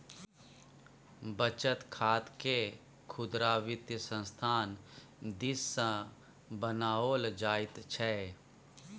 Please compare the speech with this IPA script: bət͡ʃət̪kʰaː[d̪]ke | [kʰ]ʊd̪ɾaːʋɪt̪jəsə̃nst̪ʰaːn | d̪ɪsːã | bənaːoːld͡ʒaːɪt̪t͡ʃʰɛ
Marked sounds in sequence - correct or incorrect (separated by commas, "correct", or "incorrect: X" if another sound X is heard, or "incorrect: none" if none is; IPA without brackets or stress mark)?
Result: incorrect: t̪, correct